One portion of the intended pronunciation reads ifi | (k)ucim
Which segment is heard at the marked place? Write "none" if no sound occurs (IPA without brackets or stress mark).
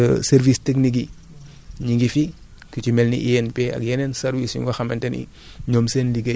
k